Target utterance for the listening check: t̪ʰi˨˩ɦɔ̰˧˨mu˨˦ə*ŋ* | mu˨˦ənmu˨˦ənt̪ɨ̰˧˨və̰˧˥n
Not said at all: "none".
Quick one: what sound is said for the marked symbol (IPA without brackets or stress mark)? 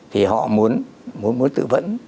n